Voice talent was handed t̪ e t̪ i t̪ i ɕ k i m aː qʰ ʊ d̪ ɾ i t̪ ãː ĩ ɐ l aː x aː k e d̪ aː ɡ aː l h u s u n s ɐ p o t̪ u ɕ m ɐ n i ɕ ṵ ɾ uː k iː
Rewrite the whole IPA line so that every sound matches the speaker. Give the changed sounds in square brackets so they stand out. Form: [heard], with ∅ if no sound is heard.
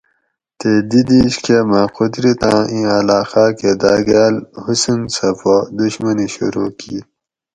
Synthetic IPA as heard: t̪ e [d̪] i [d̪] i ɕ k [e] m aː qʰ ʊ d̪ ɾ i t̪ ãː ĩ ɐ l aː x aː k e d̪ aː ɡ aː l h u s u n s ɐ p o [d̪] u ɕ m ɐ n i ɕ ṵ ɾ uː k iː